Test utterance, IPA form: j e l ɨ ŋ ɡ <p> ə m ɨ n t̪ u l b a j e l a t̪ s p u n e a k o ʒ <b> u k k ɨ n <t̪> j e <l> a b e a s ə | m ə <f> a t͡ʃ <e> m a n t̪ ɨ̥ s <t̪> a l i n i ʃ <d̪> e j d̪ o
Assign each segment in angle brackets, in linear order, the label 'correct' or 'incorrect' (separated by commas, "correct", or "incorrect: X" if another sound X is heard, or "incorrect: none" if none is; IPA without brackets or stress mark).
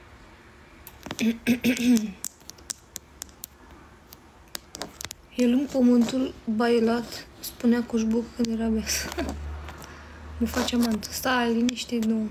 correct, correct, incorrect: d̪, incorrect: ɾ, correct, incorrect: a, correct, incorrect: t̪